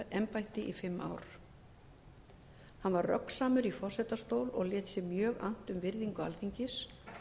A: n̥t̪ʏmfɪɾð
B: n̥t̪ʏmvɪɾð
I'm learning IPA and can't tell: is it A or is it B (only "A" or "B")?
B